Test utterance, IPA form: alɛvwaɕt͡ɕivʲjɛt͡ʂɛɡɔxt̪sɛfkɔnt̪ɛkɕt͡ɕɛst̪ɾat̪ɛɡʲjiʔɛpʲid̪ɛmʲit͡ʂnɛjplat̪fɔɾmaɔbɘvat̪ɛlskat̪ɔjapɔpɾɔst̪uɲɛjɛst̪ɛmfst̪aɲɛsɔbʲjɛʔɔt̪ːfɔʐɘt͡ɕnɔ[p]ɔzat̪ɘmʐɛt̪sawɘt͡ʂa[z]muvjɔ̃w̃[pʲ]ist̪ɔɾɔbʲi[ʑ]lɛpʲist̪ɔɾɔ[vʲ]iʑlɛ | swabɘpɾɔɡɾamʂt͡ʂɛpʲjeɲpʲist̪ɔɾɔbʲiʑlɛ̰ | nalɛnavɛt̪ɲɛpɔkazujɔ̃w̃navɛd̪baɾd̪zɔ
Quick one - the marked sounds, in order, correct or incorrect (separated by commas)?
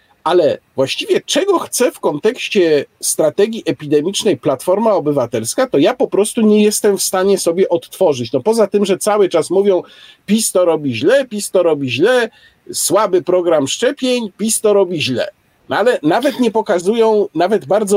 correct, incorrect, correct, correct, incorrect